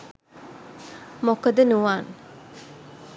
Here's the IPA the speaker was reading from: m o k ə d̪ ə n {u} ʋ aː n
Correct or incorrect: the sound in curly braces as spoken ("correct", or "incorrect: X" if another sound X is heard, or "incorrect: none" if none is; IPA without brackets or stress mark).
correct